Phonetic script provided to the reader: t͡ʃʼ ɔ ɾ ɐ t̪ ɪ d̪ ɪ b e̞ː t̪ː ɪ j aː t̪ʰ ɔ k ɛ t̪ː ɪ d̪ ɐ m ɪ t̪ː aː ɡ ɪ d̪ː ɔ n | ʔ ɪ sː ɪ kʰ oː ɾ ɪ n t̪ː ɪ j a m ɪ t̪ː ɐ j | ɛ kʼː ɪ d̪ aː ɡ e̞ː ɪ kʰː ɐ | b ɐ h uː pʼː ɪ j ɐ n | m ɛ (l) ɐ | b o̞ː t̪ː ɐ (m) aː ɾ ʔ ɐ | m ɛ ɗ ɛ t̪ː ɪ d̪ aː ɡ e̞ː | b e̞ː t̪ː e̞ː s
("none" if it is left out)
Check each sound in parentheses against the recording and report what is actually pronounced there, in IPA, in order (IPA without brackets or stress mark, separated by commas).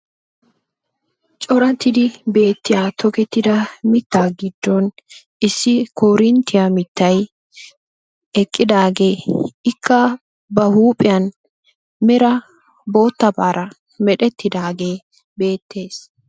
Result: ɾ, b